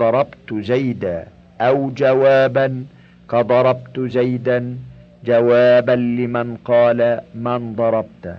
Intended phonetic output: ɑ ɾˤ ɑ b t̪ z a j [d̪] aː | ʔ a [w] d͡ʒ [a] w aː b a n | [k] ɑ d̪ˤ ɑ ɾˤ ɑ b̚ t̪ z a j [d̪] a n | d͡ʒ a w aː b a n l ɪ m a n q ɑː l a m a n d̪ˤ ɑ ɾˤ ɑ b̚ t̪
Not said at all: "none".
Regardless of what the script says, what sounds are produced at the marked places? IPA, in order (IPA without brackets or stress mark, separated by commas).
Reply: d̪, w, a, k, d̪